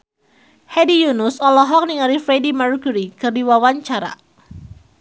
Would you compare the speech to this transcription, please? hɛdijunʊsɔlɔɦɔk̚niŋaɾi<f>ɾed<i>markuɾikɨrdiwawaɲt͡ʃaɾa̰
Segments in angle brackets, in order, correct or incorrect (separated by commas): correct, correct